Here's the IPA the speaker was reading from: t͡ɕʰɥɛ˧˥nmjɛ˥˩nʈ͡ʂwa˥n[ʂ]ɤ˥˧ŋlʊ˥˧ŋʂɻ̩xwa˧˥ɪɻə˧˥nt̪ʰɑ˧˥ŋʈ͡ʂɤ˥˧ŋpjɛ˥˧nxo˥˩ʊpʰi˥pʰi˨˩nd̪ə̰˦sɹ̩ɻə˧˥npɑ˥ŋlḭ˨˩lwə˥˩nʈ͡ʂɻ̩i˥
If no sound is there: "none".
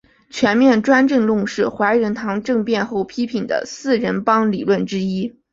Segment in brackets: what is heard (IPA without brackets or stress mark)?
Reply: ʈ͡ʂ